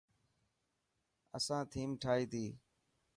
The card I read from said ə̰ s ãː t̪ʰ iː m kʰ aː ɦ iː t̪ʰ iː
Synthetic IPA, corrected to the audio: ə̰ s ãː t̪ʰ iː m ʈʰ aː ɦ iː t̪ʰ iː